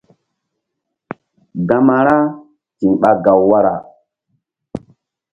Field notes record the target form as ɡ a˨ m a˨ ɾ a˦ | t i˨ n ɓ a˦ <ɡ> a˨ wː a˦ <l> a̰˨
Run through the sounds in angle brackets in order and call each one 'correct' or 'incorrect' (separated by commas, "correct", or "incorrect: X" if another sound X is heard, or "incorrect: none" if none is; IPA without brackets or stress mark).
correct, incorrect: ɾ